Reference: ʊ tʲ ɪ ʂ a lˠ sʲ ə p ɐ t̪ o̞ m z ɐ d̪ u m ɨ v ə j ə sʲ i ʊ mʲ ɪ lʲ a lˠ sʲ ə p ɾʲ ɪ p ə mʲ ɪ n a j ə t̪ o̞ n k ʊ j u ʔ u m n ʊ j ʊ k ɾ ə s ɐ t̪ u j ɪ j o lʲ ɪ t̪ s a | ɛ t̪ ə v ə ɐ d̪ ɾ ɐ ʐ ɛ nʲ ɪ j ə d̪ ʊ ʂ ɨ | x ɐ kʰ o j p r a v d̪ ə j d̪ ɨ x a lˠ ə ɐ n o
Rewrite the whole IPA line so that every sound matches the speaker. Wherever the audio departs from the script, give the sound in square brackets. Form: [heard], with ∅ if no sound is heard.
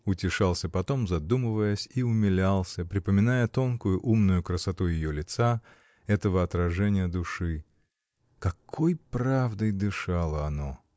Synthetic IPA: ʊ tʲ ɪ ʂ a lˠ sʲ ə p ɐ t̪ o̞ m z ɐ d̪ u m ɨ v ə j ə sʲ i ʊ mʲ ɪ lʲ a lˠ sʲ ə p ɾʲ ɪ p ə mʲ ɪ n a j ə t̪ o̞ n k ʊ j [ʊ] ʔ u m n ʊ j ʊ k ɾ ə s ɐ t̪ u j ɪ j o lʲ ɪ t̪ s a | ɛ t̪ ə v ə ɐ [t̪] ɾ ɐ ʐ ɛ nʲ ɪ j ə d̪ ʊ ʂ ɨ | [k] ɐ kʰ o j p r a v d̪ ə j d̪ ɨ [ʂ] a lˠ ə ɐ n o